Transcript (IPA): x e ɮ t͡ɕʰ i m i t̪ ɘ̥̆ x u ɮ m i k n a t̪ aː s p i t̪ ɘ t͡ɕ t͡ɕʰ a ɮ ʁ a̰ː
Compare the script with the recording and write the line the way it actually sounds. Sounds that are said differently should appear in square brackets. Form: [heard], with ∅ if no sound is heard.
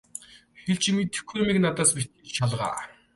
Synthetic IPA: x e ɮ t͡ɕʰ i m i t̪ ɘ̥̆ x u [∅] m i k n a t̪ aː s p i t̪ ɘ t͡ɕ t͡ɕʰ a ɮ ʁ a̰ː